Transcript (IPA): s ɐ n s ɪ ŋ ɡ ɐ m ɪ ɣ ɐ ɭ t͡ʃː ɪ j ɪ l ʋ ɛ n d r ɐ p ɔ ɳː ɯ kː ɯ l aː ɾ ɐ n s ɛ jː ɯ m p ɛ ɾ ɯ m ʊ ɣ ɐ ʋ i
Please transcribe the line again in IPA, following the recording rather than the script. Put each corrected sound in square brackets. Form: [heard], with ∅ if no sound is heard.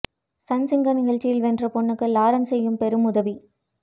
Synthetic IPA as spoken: s ɐ n s ɪ ŋ ɡ ɐ [n] ɪ ɣ ɐ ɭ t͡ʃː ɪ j ɪ l ʋ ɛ n d r ɐ p ɔ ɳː ɯ kː ɯ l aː ɾ ɐ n s ɛ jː ɯ m p ɛ ɾ ɯ m ʊ [ð] ɐ ʋ i